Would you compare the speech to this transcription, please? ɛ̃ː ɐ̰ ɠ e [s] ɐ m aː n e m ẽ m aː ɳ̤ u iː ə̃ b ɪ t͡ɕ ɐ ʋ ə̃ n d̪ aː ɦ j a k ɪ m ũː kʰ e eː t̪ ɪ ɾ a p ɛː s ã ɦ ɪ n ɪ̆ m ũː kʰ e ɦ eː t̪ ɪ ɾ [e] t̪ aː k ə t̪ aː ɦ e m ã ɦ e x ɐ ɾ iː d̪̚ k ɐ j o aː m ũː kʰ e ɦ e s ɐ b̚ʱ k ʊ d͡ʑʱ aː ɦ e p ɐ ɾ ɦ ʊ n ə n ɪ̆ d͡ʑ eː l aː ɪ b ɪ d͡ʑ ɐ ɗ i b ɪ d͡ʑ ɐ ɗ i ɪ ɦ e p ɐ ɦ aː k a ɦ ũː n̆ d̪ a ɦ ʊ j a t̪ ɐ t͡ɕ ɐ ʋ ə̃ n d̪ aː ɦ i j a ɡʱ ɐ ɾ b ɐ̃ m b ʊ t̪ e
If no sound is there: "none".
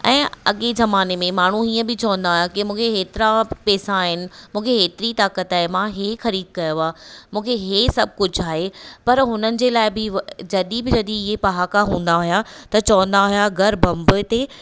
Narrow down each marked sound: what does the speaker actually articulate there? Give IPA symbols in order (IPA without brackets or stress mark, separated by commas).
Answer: z, i